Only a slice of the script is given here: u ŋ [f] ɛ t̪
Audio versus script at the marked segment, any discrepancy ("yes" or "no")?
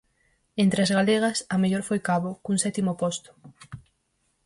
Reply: yes